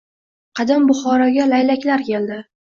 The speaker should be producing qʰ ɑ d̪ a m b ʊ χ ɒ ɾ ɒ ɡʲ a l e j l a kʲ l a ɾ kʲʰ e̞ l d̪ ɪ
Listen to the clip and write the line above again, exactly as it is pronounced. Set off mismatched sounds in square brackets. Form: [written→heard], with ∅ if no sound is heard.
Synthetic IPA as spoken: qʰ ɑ d̪ a m b ʊ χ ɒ ɾ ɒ ɡʲ a l [e→a] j l a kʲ l a ɾ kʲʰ e̞ l d̪ ɪ